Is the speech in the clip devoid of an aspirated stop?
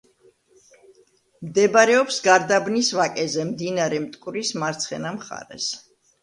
yes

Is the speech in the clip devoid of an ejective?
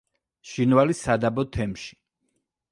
yes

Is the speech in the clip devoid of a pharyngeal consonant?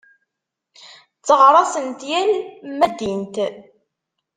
yes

